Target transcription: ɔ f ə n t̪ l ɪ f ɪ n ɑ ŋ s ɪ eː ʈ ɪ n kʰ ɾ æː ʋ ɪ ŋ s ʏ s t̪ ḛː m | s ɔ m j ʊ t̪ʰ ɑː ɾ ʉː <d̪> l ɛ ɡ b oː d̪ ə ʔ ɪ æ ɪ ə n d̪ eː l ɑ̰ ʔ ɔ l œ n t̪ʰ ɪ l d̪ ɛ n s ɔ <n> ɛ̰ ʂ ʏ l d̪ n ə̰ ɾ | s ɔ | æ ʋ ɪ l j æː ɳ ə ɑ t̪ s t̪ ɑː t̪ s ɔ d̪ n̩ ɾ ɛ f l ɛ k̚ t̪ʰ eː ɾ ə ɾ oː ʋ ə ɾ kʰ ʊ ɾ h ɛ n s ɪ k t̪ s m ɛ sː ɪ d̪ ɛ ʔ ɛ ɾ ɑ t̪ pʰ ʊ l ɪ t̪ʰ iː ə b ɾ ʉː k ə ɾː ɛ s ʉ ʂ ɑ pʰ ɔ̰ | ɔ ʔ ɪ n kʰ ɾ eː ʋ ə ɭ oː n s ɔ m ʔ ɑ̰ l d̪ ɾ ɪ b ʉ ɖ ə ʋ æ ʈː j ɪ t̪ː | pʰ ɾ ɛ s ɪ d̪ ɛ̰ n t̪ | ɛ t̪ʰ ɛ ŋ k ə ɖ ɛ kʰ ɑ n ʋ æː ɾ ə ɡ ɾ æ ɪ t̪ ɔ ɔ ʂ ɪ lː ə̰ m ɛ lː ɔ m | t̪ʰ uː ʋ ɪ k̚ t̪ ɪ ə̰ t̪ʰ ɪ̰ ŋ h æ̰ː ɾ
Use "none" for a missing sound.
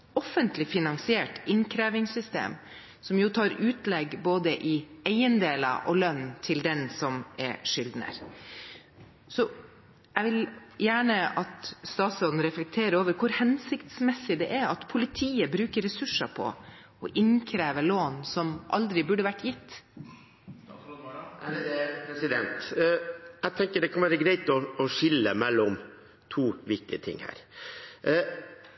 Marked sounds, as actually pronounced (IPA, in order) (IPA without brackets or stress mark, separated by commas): t̪, m